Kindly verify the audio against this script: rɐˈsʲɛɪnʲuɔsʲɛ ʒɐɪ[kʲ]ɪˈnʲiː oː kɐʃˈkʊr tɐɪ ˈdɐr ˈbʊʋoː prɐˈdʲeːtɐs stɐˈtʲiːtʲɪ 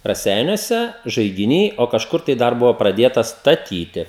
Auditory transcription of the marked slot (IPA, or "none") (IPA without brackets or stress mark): ɡʲ